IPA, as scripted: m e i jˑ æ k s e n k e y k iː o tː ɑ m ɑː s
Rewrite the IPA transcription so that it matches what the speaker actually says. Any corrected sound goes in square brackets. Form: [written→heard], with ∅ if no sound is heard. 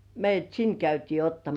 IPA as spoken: m e i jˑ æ [k→t] s [e→i] n k [e→æ] y [k→t] iː o tː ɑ m [ɑː→ɑ] s